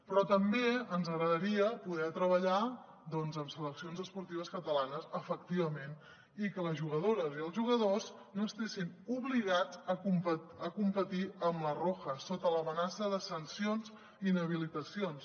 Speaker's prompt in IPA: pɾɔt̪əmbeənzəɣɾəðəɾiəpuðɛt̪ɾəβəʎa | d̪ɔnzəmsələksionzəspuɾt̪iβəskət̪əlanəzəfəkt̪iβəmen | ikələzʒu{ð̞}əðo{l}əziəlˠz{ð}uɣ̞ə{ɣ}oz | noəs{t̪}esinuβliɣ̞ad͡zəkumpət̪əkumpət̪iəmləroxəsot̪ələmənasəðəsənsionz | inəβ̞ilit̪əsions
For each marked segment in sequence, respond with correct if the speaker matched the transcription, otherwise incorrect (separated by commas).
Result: incorrect, incorrect, incorrect, incorrect, correct